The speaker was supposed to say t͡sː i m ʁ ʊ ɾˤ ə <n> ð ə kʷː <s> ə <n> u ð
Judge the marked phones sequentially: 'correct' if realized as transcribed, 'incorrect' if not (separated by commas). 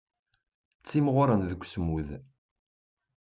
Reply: correct, correct, incorrect